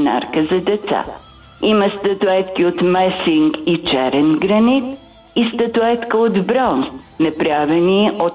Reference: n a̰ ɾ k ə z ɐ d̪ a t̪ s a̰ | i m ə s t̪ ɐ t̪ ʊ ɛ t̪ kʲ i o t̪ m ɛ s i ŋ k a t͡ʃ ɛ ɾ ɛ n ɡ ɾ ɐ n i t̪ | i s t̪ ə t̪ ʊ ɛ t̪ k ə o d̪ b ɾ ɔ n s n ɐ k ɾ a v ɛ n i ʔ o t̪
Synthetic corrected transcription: n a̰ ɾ k ə z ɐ d̪ ɛ t̪ s a̰ | i m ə s t̪ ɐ t̪ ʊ ɛ t̪ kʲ i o t̪ m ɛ s i ŋ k i t͡ʃ ɛ ɾ ɛ n ɡ ɾ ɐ n i t̪ | i s t̪ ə t̪ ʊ ɛ t̪ k ə o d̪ b ɾ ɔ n s n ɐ p ɾ a v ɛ n i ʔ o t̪